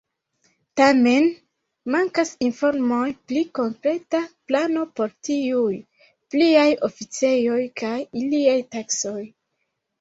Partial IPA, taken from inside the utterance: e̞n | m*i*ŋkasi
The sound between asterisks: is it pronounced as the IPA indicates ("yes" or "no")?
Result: no